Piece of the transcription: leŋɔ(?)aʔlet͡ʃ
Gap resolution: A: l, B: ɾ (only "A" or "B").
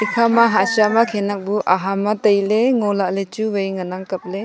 A